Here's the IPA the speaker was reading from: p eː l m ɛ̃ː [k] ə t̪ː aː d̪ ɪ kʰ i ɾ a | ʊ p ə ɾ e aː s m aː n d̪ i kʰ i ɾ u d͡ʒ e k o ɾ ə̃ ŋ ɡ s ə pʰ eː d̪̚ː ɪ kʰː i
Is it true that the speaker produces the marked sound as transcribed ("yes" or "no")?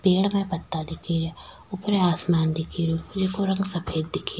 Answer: no